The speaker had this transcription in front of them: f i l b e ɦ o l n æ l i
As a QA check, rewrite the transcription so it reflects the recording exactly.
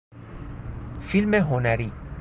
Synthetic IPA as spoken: f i l m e ɦ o n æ ɾ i